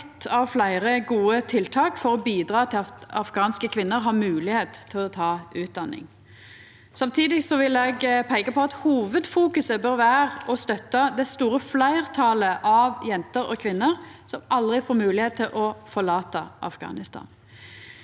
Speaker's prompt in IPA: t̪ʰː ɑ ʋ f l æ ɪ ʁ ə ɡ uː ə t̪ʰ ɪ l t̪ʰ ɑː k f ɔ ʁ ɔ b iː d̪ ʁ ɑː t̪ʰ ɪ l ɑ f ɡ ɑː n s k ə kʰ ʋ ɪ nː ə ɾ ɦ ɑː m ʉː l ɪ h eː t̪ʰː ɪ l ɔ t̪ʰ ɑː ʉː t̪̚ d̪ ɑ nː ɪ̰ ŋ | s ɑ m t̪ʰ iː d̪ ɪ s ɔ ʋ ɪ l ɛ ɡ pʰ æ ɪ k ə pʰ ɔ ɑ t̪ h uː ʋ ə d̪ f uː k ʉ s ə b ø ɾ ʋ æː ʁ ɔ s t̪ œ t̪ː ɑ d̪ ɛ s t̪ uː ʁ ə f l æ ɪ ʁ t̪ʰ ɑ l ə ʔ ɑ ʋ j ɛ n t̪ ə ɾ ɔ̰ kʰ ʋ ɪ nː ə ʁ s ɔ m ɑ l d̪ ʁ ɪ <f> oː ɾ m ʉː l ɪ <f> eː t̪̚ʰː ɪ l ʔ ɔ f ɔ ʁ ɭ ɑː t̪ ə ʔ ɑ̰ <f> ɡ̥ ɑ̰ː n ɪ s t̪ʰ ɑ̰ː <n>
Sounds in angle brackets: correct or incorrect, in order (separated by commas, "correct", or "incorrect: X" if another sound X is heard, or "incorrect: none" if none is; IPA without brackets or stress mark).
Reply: correct, incorrect: h, correct, correct